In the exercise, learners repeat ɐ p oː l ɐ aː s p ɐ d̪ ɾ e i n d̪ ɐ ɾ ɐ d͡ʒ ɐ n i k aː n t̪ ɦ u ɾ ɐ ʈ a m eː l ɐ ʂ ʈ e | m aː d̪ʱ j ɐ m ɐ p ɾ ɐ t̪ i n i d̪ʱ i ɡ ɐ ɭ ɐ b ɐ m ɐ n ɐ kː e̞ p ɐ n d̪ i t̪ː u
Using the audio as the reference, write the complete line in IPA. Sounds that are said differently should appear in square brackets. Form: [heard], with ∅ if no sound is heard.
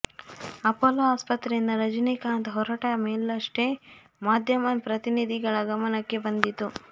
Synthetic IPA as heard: ɐ p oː l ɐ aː s p ɐ [t̪] ɾ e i n d̪ ɐ ɾ ɐ d͡ʒ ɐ n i k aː n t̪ ɦ [ɔ] ɾ ɐ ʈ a m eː l ɐ ʂ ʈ e | m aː d̪ʱ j ɐ m ɐ p ɾ ɐ t̪ i n i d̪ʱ i ɡ ɐ ɭ ɐ [ɡ] ɐ m ɐ n ɐ kː e̞ [b] ɐ n d̪ i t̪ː u